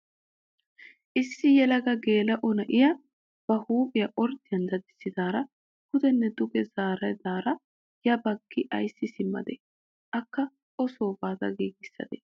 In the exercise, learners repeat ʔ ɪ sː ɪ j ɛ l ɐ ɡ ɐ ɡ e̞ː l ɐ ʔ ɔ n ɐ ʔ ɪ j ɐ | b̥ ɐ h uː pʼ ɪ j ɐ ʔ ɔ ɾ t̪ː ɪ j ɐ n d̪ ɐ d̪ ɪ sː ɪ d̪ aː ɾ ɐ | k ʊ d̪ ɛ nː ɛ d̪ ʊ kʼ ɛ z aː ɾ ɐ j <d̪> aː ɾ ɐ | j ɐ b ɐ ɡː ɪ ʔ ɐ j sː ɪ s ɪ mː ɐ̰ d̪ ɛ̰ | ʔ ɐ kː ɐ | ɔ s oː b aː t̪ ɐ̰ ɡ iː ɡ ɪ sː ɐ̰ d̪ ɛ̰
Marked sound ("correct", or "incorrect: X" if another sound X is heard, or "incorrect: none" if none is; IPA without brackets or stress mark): correct